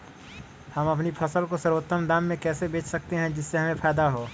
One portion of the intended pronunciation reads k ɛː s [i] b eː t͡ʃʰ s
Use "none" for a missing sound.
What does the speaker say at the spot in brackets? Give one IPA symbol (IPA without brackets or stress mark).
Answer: e